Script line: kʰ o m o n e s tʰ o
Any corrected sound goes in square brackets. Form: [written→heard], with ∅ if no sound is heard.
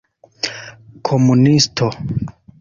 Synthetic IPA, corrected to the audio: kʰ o m [o→u] n [e→i] s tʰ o